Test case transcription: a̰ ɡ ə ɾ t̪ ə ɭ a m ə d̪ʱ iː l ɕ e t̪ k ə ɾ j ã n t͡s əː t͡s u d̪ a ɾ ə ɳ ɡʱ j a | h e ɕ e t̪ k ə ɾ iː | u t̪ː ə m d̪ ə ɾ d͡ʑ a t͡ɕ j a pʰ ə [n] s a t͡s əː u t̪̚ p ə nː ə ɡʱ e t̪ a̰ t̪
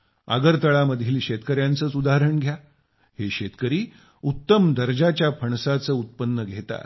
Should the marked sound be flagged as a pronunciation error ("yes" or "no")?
yes